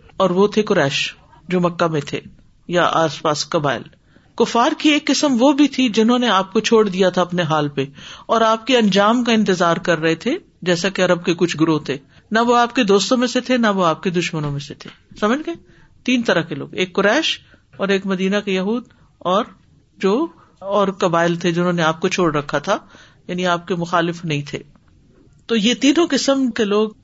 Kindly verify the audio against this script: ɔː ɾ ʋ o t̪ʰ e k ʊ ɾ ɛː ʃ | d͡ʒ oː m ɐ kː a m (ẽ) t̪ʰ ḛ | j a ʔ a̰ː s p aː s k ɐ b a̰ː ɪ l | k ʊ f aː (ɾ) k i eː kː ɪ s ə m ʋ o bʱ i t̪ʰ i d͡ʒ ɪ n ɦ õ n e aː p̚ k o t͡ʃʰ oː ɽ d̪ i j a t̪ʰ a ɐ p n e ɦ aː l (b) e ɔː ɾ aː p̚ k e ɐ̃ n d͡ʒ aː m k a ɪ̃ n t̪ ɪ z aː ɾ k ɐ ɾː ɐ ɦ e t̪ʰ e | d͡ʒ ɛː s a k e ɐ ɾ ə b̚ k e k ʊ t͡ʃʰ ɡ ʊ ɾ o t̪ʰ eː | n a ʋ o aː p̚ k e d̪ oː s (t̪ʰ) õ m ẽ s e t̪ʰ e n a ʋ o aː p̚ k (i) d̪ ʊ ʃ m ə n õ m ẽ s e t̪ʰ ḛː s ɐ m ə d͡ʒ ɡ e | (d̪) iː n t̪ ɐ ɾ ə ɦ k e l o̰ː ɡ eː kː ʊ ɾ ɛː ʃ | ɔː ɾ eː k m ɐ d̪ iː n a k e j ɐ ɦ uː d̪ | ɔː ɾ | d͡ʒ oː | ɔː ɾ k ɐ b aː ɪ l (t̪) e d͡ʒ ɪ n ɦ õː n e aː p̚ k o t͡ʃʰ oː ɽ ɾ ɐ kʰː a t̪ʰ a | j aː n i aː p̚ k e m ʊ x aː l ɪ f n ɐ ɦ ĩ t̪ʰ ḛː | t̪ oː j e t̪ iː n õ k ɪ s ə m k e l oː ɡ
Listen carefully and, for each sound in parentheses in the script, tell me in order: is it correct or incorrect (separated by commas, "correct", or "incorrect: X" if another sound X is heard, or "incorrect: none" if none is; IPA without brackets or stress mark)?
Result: correct, correct, incorrect: p, incorrect: t̪, incorrect: e, incorrect: t̪, incorrect: t̪ʰ